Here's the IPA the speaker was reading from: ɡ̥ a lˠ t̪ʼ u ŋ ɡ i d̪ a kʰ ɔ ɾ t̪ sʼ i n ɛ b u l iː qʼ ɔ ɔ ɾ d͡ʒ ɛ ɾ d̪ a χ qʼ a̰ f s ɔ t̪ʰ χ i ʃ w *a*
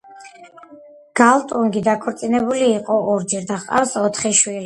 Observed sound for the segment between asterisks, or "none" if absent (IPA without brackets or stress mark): i